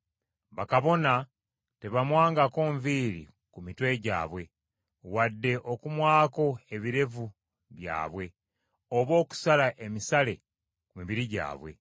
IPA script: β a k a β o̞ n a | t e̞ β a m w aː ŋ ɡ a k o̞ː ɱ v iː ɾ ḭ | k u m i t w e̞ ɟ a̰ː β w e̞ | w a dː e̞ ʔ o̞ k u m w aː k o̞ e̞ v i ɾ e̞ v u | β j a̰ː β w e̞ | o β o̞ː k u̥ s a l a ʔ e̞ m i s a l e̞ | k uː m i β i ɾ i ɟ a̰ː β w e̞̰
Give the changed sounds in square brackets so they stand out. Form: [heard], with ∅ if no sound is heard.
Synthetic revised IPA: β a k a β o̞ n a | t e̞ β a m w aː ŋ ɡ a k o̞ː ɱ v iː ɾ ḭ | k u m i t w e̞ ɟ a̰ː β w e̞ | w a dː e̞ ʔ o̞ k u m w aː k o̞ e̞ [β] i ɾ e̞ v u | β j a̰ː β w e̞ | o β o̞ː k u̥ s a l a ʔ e̞ m i s a l e̞ | k [u] m i β i ɾ i ɟ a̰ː β w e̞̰